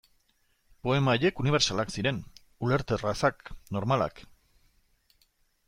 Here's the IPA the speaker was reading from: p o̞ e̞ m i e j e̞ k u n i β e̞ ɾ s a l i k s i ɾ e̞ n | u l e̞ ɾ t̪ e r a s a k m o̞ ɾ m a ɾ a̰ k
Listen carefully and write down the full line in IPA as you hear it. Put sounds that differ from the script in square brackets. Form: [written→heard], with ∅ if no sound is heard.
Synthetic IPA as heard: p o̞ e̞ m [i→a] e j e̞ k u n i β e̞ ɾ s a l [i→a] k s i ɾ e̞ n | u l e̞ ɾ t̪ e r a s a k [m→n] o̞ ɾ m a [ɾ→l] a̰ k